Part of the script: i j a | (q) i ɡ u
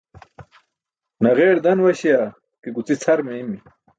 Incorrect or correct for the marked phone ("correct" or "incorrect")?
incorrect